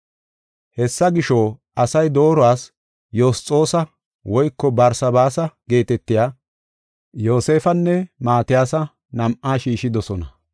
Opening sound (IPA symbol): h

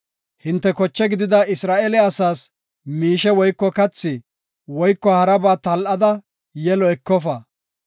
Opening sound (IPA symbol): h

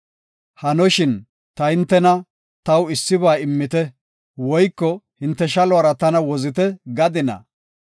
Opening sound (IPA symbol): h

